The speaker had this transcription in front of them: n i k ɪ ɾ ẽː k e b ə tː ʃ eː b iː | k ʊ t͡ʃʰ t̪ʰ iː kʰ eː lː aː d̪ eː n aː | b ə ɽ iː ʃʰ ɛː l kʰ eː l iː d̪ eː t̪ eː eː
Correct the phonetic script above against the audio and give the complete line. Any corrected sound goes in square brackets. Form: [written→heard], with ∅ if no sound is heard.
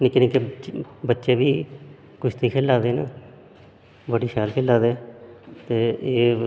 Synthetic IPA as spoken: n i k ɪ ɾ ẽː k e b ə tː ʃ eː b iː | k ʊ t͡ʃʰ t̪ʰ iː kʰ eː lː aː d̪ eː n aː | b ə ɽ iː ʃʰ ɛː l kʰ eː l [iː→aː] d̪ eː t̪ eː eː